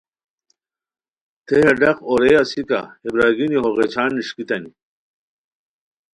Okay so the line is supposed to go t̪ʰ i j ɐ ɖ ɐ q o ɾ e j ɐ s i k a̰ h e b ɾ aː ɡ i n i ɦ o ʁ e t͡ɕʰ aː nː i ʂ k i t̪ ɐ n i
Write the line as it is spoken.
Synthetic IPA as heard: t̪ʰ e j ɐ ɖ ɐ q o ɾ e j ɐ s i k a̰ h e b ɾ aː ɡ i n i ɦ o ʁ e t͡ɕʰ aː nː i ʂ k i t̪ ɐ n i